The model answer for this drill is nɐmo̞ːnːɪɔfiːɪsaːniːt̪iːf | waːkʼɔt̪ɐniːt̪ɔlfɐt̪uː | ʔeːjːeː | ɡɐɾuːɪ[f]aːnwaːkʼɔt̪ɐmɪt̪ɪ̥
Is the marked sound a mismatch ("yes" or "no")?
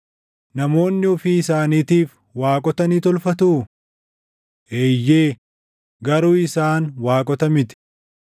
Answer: yes